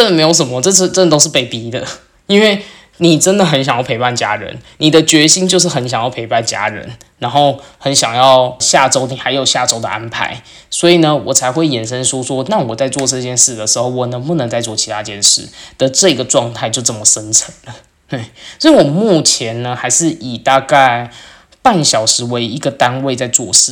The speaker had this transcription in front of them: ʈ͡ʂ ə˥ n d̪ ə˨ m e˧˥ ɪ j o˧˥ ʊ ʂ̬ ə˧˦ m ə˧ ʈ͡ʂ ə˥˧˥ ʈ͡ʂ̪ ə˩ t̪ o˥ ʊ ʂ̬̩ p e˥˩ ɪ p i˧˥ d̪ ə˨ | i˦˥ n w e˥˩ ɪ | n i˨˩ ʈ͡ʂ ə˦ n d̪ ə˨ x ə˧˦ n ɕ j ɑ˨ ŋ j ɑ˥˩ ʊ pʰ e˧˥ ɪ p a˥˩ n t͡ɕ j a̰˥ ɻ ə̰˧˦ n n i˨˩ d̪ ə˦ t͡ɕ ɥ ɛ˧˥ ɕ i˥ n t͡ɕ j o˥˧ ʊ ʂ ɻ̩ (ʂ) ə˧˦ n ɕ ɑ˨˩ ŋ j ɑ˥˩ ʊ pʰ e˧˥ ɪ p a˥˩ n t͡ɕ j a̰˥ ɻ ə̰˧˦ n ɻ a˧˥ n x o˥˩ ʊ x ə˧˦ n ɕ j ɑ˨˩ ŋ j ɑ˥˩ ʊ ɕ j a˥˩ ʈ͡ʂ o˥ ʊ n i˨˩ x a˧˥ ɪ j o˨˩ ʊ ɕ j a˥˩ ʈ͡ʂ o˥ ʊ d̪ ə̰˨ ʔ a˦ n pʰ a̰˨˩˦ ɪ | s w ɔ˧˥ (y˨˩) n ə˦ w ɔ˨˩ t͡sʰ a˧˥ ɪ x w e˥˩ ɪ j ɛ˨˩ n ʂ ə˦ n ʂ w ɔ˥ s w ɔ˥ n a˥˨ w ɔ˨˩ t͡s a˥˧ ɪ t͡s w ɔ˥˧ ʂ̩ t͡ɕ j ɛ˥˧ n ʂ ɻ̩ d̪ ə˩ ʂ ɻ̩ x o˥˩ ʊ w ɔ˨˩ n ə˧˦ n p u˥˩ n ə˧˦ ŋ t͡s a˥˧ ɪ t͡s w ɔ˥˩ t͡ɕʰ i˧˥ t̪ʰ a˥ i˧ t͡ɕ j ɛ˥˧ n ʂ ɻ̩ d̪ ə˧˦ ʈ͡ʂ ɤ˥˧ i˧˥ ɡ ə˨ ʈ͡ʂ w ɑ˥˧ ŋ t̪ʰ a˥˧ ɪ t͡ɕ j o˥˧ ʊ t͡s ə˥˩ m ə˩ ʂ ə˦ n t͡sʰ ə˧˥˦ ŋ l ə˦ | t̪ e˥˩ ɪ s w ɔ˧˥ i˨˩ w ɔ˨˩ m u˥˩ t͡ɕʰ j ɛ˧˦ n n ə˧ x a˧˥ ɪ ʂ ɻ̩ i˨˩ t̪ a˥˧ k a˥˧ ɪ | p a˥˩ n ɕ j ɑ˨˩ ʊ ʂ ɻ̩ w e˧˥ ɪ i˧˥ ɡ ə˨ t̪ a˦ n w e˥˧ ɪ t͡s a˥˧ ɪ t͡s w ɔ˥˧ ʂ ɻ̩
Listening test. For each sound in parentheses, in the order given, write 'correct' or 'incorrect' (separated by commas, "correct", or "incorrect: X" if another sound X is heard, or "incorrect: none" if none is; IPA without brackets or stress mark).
incorrect: x, incorrect: i˨˩